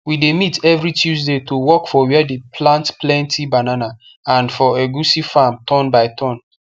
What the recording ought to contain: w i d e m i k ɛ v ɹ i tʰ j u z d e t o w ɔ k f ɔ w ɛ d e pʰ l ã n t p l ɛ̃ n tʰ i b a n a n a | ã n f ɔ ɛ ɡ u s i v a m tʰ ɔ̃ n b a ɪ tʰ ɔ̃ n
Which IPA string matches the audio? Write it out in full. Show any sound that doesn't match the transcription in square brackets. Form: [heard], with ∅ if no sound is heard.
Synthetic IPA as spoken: w i d e m i [t] ɛ v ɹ i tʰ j u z d e t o w ɔ k f ɔ w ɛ d e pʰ l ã n t p l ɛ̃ n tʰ i b a n a n a | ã n f ɔ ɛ ɡ u s i [f] a m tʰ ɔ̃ n b a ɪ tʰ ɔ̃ n

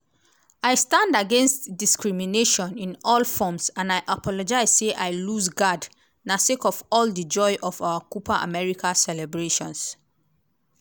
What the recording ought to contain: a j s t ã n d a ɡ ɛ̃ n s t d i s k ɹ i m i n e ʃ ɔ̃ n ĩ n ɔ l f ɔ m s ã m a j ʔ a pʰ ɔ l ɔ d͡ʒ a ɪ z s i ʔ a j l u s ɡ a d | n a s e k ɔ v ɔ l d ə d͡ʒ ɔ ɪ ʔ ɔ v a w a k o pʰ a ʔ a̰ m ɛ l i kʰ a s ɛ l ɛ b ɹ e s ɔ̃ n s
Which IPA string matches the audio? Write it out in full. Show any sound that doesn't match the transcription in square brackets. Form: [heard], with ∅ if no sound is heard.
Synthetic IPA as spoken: a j s t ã n d a ɡ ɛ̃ n s t d i s k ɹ i m i n e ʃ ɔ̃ n ĩ n ɔ l f ɔ m s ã [n] a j ʔ a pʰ ɔ l ɔ d͡ʒ a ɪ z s [e] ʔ a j l u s ɡ a d | n a s e k ɔ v ɔ l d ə d͡ʒ ɔ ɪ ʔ ɔ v a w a k [u] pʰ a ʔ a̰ m ɛ [ɹ] i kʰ a s ɛ l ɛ b ɹ e [ʃ] ɔ̃ n s

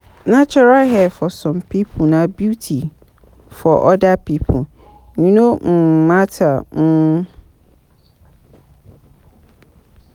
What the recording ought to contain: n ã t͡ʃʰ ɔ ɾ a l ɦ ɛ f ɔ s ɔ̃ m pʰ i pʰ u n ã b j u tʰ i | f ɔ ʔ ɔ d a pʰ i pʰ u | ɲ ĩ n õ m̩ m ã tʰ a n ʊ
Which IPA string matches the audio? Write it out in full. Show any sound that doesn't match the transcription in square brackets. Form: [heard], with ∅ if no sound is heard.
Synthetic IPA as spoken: n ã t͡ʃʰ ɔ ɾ a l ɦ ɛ f ɔ s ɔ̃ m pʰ i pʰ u n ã b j u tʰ i | f ɔ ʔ ɔ d a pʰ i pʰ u | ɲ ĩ n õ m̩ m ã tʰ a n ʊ

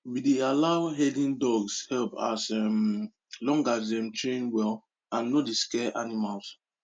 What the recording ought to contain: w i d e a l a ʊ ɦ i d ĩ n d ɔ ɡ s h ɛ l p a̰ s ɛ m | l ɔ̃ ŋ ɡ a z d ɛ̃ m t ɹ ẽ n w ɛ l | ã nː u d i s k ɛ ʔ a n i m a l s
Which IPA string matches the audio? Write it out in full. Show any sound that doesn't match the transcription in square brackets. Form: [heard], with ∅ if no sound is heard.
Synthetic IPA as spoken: w i d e a l a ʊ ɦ [ɛ] d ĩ n d ɔ ɡ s h ɛ l p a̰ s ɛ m | l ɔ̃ ŋ ɡ a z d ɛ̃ m t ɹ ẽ n w ɛ l | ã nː [o] d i s k ɛ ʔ a n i m a l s

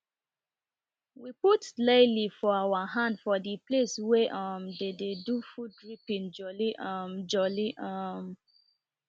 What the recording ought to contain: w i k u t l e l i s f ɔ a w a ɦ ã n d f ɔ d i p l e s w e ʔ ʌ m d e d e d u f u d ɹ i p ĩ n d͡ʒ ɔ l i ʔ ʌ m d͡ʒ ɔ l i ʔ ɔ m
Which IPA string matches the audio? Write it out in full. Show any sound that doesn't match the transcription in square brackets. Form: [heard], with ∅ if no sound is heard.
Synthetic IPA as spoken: w i [p] u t l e l i [∅] f ɔ a w a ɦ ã n d f ɔ d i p l e s w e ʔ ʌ m d e d e d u f u d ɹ i p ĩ n d͡ʒ ɔ l i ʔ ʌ m d͡ʒ ɔ l i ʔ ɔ m

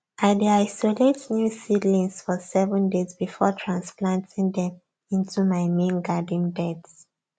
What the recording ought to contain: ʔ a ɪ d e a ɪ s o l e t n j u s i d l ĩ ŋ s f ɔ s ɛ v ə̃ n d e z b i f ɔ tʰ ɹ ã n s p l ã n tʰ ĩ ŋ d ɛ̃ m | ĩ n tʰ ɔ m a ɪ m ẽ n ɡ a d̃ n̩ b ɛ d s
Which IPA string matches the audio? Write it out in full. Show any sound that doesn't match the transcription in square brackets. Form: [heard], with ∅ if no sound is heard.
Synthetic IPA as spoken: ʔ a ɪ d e a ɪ s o l e t n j u s i d l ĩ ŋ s f ɔ s ɛ v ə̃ n d e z b i f ɔ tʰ ɹ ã n s p l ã n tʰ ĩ ŋ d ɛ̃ m | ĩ n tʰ [u] m a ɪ m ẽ n ɡ a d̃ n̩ b ɛ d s

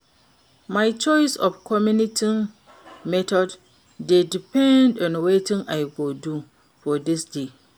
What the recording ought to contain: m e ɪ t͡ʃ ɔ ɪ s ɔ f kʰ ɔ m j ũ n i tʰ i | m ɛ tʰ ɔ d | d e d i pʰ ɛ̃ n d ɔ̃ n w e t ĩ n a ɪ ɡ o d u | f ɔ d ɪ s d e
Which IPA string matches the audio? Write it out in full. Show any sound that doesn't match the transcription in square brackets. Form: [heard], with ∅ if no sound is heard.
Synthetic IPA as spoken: m [a] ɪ t͡ʃ ɔ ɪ s ɔ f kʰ ɔ m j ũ n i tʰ i | m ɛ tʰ ɔ d | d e d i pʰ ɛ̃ n d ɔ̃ n w e t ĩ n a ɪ ɡ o d u | f ɔ d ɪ s d e

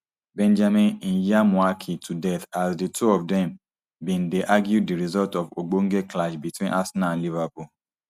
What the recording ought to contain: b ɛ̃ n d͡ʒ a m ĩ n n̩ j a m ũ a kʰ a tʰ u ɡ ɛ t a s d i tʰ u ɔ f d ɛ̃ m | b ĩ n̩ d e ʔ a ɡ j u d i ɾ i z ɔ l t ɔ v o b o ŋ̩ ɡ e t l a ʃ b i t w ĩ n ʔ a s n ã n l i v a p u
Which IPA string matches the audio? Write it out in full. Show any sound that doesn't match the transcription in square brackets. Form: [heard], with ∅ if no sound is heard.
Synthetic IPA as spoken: b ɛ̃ n d͡ʒ a m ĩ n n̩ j a m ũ a kʰ [i] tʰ u [d] ɛ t a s d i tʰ u ɔ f d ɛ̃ m | b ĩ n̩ d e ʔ a ɡ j u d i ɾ i z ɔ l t ɔ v o [ɡ͡b] o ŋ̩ ɡ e [k] l a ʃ b i t w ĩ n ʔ a s n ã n l i v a p u

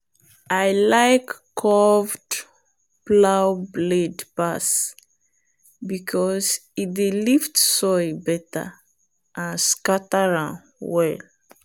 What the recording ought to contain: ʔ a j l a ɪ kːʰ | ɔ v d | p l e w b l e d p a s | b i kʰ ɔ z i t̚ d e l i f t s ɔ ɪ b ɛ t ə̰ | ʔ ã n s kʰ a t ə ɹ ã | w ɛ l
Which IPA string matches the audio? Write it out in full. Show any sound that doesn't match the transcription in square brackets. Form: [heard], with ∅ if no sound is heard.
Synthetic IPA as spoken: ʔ a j l a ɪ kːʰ | ɔ v d | p l [a] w b l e d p a s | b i kʰ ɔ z i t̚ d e l i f t s ɔ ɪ b ɛ t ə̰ | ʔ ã n s [k] a t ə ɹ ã | w ɛ l

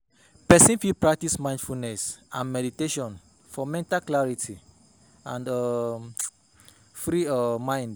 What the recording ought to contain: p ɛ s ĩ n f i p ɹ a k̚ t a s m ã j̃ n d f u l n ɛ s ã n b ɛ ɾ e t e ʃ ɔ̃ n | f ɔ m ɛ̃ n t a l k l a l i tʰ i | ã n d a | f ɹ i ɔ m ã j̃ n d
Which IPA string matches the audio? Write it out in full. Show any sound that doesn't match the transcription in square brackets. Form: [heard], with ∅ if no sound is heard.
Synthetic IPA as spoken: p ɛ s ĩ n f i p ɹ a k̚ t [i] s m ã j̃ n d f u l n ɛ s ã n [m] ɛ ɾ [i] t e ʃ ɔ̃ n | f ɔ m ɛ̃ n t a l k l a [ɹ] i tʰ i | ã n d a | f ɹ i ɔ m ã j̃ n d

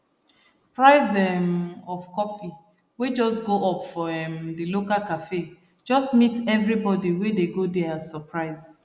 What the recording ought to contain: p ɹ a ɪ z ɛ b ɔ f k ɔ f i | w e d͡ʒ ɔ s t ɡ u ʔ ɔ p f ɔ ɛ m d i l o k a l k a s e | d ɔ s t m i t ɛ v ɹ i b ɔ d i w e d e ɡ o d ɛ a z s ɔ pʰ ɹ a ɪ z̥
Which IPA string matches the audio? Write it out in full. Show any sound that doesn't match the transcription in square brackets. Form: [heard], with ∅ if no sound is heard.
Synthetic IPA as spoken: p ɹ a ɪ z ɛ [m] ɔ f k ɔ f i | w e d͡ʒ ɔ s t ɡ [o] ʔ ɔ p f ɔ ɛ m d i l o k a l k a [f] e | [d͡ʒ] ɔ s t m i t ɛ v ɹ i b ɔ d i w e d e ɡ o d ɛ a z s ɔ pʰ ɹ a ɪ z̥

